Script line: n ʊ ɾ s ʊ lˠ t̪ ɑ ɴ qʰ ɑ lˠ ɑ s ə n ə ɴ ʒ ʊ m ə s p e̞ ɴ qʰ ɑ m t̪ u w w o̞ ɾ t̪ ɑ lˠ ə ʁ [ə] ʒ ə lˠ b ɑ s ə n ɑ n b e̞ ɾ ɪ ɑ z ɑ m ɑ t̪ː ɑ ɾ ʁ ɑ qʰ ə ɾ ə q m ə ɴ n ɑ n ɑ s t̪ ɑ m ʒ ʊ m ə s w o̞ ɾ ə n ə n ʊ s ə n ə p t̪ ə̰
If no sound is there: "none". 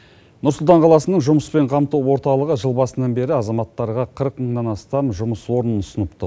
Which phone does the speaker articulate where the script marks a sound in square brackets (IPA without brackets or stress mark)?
ə